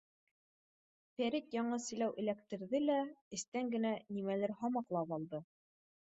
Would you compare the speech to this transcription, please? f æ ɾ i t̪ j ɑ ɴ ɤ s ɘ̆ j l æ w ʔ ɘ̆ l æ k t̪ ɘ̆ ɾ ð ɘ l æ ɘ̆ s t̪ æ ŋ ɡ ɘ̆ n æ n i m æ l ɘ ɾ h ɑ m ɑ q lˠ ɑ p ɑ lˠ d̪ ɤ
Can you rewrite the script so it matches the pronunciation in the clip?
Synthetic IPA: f æ ɾ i t̪ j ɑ ɴ ɤ s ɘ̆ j l æ w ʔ ɘ̆ l æ k t̪ ɘ̆ ɾ ð ɘ l æ ɘ̆ s t̪ æ ŋ ɡ ɘ̆ n æ n i m æ l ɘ ɾ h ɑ m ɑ q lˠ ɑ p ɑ lˠ d̪ ɤ